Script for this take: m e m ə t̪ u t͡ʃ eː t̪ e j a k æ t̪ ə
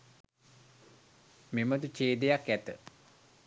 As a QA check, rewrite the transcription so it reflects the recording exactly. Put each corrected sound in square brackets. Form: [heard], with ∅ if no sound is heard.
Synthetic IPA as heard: m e m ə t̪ u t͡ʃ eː [d̪] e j a k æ t̪ ə